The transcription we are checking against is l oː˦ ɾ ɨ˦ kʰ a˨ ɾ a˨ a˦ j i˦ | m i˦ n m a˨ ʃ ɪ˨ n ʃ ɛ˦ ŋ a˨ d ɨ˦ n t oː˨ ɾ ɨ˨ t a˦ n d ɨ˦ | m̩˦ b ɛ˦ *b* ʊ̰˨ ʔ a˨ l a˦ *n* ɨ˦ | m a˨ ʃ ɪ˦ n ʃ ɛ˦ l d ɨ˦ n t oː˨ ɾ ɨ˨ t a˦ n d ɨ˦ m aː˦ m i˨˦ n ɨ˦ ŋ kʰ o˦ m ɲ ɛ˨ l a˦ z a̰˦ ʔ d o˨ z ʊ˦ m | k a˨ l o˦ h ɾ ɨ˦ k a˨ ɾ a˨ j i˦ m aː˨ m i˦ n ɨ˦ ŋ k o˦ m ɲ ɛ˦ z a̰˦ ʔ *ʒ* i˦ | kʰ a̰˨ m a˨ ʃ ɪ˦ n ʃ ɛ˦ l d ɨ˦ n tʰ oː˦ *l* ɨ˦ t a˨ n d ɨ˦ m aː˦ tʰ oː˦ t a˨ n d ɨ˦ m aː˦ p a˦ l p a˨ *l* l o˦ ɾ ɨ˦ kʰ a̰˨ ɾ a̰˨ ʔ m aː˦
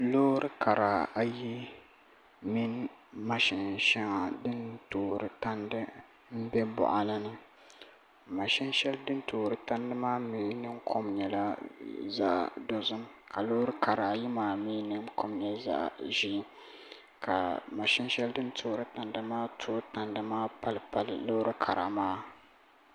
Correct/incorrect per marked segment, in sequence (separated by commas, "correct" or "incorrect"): correct, correct, correct, incorrect, correct